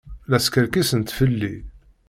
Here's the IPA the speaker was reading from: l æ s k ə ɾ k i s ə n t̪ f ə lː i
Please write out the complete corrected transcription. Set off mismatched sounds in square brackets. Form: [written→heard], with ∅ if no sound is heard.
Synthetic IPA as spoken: l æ s k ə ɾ k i s ə n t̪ f ə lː i